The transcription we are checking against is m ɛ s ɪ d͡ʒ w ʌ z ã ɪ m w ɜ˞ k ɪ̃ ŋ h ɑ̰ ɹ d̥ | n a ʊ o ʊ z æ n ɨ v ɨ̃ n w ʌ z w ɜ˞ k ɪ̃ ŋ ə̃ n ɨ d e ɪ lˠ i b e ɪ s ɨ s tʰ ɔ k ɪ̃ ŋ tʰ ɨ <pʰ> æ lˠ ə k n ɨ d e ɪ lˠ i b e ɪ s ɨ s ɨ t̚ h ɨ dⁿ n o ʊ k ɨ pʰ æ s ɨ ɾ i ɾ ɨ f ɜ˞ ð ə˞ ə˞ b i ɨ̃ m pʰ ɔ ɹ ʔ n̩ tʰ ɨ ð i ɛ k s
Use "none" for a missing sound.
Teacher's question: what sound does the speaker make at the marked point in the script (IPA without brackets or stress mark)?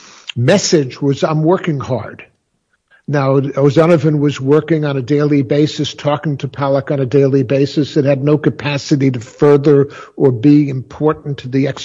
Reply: pʰ